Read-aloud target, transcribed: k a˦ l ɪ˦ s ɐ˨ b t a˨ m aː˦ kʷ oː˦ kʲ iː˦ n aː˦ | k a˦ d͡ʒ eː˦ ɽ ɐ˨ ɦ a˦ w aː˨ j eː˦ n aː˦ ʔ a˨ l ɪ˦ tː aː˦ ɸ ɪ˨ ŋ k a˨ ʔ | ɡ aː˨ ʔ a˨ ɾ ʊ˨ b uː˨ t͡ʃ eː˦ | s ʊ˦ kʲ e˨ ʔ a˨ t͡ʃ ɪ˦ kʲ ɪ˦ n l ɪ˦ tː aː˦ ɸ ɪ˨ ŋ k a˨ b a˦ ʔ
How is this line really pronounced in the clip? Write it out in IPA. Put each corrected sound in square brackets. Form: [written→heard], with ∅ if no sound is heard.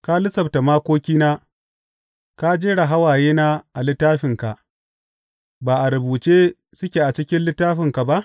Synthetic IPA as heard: k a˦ l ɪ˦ s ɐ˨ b t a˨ m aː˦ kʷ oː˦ kʲ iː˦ n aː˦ | k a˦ d͡ʒ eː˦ ɽ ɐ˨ ɦ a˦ w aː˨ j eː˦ n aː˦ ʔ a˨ l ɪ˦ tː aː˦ ɸ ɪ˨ ŋ k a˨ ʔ | [ɡ→b] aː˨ ʔ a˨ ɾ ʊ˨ b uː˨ t͡ʃ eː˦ | s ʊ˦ kʲ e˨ ʔ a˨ t͡ʃ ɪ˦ kʲ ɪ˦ n l ɪ˦ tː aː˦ ɸ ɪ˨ ŋ k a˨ b a˦ ʔ